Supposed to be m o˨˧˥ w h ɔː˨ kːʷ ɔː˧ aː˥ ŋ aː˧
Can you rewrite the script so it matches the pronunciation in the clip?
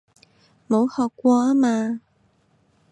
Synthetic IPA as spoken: m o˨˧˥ w h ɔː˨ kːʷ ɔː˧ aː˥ m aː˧